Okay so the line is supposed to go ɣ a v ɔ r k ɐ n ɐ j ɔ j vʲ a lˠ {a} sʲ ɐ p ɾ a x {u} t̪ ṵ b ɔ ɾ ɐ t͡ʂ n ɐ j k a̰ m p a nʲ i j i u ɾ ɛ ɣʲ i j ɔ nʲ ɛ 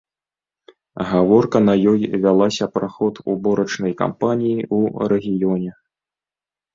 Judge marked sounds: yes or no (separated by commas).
yes, no